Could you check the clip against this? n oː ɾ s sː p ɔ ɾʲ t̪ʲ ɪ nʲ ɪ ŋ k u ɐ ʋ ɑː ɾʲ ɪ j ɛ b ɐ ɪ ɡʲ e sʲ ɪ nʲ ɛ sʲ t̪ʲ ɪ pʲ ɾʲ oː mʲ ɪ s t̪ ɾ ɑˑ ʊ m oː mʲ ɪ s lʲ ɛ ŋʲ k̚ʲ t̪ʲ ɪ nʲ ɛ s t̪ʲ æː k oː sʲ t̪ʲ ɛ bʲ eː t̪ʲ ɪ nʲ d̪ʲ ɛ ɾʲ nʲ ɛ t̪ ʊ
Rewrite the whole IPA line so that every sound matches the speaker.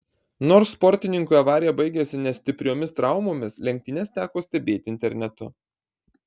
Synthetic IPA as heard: n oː ɾ s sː p ɔ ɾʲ t̪ʲ ɪ nʲ ɪ ŋ k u ɐ ʋ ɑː ɾʲ ɪ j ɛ b ɐ ɪ ɡʲ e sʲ ɪ nʲ ɛ sʲ t̪ʲ ɪ pʲ ɾʲ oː mʲ ɪ s t̪ ɾ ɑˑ ʊ m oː mʲ ɪ s lʲ ɛ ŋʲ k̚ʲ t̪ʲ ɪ nʲ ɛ s t̪ʲ æː k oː sʲ t̪ʲ ɛ bʲ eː t̪ʲ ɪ nʲ t̪ʲ ɛ ɾʲ nʲ ɛ t̪ ʊ